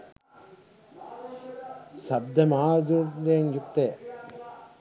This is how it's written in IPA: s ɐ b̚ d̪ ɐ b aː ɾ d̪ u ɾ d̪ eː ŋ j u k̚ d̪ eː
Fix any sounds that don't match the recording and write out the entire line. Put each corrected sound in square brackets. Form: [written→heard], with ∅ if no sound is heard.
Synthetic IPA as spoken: s ɐ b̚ d̪ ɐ [b→m] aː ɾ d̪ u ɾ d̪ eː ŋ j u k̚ [d̪→t̪] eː